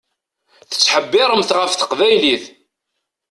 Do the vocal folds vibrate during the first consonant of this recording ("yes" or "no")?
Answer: no